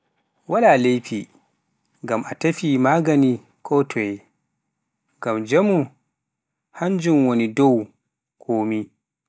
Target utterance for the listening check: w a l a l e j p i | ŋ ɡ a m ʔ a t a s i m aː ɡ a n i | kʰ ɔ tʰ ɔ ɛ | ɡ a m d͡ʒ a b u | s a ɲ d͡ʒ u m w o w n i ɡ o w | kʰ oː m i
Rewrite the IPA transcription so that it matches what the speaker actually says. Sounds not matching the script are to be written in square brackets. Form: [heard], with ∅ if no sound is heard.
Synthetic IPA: w a l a l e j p i | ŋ ɡ a m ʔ a t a [f] i m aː ɡ a n i | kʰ ɔ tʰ ɔ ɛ | ɡ a m d͡ʒ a [m] u | [h] a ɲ d͡ʒ u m w o [∅] n i [d] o w | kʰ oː m i